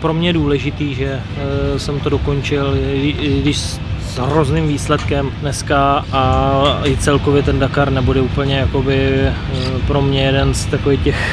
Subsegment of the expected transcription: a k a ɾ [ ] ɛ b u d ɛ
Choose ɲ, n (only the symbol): n